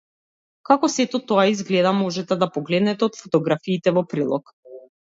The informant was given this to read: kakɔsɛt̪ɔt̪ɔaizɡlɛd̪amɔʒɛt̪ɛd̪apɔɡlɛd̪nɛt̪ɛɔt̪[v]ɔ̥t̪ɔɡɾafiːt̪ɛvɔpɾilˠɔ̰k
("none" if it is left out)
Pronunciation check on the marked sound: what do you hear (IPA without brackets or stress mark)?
f